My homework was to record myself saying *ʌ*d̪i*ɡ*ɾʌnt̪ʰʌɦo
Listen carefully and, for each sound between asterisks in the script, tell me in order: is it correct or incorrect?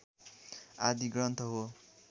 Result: incorrect: a, correct

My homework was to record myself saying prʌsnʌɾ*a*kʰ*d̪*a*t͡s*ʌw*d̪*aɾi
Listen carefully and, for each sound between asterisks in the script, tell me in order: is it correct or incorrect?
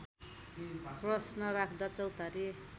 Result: correct, correct, correct, incorrect: t̪

